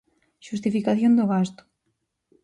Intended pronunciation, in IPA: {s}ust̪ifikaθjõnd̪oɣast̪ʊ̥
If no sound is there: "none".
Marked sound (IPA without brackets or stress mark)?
ʃ